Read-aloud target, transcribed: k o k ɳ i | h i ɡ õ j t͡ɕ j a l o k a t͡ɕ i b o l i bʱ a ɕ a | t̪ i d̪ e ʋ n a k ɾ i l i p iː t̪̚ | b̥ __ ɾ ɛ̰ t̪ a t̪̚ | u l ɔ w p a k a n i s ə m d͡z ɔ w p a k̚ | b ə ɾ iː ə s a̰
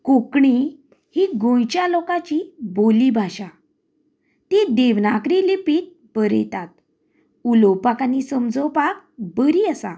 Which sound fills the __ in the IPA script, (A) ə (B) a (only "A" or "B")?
A